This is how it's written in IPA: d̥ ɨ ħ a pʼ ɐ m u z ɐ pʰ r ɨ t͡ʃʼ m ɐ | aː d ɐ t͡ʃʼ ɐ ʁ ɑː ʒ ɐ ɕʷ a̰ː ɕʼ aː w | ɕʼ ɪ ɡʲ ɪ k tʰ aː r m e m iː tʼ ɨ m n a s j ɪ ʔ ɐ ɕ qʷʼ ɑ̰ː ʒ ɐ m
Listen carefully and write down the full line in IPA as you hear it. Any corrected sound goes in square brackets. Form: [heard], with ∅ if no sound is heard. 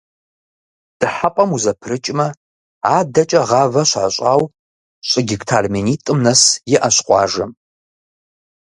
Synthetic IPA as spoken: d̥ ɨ ħ a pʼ ɐ m u z ɐ pʰ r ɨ t͡ʃʼ m ɐ | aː d ɐ t͡ʃʼ ɐ ʁ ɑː [v] ɐ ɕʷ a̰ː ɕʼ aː w | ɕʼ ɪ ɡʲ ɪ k tʰ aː r m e [n] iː tʼ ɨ m n [ɐ] s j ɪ ʔ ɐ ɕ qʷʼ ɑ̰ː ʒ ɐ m